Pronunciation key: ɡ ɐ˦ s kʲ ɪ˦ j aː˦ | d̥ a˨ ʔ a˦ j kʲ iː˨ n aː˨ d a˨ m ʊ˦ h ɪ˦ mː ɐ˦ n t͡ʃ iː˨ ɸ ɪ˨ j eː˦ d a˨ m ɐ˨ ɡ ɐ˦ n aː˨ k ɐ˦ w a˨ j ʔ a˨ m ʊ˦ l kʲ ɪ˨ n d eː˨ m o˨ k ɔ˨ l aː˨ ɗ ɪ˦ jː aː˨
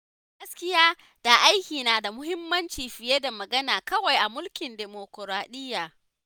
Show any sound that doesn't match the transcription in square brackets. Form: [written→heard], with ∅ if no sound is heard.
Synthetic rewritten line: ɡ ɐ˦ s kʲ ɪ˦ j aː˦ | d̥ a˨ ʔ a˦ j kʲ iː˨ n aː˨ d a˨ m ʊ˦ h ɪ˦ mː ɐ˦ n t͡ʃ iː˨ ɸ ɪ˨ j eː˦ d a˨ m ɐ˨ ɡ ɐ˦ n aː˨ k ɐ˦ w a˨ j ʔ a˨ m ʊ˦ l kʲ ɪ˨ n d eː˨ m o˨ k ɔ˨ [l→ɾ] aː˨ ɗ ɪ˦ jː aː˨